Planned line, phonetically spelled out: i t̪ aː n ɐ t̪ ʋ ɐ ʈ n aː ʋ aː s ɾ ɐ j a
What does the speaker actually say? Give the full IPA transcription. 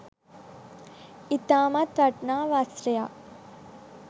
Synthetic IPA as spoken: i t̪ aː m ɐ t̪ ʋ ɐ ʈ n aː ʋ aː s ɾ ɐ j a